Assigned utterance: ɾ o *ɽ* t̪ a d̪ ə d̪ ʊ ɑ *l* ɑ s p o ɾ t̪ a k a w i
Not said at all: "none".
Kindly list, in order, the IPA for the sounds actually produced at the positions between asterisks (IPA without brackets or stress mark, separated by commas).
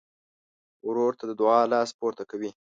ɾ, l